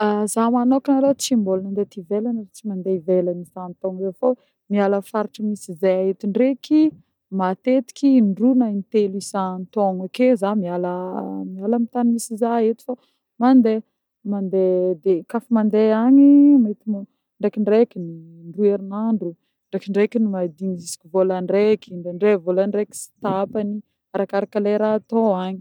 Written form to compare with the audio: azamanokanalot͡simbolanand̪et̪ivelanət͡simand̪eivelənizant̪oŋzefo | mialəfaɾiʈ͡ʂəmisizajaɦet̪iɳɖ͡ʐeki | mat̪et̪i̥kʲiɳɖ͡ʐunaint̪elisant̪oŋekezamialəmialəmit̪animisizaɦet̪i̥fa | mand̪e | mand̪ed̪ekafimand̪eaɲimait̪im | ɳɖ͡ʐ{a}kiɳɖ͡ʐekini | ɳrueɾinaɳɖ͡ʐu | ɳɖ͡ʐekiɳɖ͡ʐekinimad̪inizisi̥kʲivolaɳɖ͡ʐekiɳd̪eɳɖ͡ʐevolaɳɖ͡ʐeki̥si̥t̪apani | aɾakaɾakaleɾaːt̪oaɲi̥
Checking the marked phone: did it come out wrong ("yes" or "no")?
yes